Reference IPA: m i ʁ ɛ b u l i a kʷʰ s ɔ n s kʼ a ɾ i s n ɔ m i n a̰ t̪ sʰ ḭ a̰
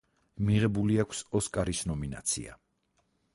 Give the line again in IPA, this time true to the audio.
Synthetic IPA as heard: m i ʁ ɛ b u l i a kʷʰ s ɔ s kʼ a ɾ i s n ɔ m i n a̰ t̪ sʰ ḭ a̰